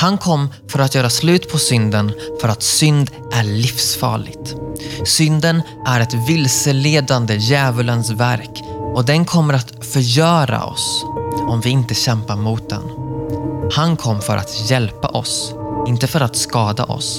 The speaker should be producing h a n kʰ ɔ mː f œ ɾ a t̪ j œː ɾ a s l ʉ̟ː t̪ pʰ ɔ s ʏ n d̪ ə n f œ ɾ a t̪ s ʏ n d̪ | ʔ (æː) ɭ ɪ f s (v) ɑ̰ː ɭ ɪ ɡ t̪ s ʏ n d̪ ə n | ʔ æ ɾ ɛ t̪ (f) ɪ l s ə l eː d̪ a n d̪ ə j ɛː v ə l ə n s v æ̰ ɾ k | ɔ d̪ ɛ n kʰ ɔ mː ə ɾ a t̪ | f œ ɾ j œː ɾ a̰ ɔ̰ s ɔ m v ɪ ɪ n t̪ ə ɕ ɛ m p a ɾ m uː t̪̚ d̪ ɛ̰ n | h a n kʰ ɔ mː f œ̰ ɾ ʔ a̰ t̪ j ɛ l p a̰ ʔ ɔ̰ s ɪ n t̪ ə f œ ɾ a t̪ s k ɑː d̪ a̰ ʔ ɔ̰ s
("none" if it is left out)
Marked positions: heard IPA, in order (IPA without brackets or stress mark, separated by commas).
æ, f, v